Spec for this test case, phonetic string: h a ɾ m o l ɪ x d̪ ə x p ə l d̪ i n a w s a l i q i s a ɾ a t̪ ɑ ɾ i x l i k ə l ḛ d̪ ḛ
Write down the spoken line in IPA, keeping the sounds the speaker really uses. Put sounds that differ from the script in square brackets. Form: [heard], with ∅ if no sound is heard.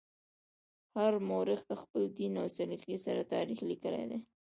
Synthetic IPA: h a ɾ m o [ɾ] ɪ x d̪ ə x p ə l d̪ i n a w s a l i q i s a ɾ a t̪ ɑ ɾ i x l i k ə l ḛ d̪ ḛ